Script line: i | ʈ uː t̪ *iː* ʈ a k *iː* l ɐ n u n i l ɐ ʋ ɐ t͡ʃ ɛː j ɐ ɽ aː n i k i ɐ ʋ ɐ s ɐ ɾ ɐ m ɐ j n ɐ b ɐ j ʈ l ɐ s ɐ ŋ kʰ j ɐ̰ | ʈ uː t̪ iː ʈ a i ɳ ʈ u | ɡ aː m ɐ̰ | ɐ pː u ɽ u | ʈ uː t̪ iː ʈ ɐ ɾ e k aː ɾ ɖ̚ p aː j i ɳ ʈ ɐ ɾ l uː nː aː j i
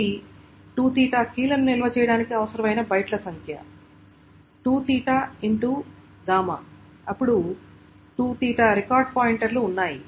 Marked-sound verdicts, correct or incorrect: correct, correct

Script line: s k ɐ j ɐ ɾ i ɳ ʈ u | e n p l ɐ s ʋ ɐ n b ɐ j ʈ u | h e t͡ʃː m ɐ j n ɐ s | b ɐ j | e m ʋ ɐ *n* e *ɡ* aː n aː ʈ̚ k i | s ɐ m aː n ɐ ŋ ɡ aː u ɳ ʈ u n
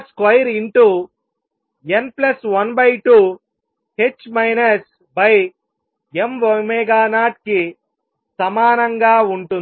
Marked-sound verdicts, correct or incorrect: incorrect, correct

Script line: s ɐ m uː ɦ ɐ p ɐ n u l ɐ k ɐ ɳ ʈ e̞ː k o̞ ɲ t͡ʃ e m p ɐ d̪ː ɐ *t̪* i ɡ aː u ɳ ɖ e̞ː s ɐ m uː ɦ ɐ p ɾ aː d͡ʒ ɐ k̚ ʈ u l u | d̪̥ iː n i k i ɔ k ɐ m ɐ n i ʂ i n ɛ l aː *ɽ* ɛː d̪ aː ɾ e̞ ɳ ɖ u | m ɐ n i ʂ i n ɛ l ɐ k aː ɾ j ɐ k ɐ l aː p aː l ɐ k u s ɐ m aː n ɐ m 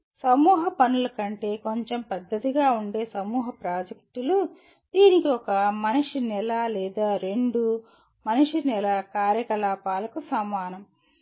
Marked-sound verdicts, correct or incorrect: correct, incorrect

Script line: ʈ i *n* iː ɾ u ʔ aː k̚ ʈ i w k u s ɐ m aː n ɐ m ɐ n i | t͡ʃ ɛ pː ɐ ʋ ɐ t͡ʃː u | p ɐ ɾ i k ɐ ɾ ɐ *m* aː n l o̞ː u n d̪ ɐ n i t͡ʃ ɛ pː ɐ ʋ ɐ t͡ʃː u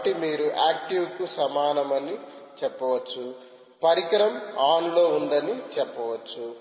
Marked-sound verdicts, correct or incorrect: incorrect, correct

